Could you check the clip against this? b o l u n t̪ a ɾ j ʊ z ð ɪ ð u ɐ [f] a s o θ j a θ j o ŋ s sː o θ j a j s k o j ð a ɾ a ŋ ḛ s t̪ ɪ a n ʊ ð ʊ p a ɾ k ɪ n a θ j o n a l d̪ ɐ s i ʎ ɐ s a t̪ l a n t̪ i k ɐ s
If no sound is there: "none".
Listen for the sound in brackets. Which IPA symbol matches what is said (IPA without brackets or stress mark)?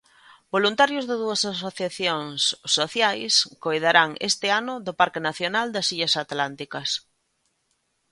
s